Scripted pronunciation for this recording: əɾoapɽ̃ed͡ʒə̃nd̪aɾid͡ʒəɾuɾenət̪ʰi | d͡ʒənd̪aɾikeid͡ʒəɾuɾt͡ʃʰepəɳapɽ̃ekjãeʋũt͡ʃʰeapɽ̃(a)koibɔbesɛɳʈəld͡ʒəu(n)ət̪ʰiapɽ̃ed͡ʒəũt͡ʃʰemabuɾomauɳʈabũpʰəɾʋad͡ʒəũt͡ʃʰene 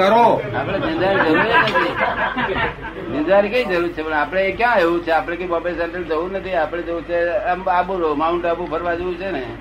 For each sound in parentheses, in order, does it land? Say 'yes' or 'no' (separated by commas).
no, yes